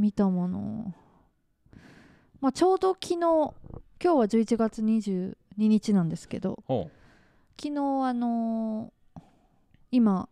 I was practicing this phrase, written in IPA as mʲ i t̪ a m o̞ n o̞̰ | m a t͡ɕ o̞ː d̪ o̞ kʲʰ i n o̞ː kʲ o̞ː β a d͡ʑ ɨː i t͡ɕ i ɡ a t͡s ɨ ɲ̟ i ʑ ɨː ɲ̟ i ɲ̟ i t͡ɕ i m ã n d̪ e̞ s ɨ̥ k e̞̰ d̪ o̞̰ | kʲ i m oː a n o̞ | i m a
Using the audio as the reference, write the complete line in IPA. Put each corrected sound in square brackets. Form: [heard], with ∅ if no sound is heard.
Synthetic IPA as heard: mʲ i t̪ a m o̞ n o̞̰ | m a t͡ɕ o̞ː d̪ o̞ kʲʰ i n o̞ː kʲ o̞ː β a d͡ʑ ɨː i t͡ɕ i ɡ a t͡s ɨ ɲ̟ i ʑ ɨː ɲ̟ i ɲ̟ i t͡ɕ i [n] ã n d̪ e̞ s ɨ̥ k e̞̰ d̪ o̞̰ | kʲ i [n] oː a n o̞ | i m a